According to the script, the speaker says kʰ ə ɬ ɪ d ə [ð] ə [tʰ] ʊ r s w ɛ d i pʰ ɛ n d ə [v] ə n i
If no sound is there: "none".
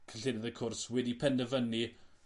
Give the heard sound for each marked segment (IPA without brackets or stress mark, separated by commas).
ð, kʰ, v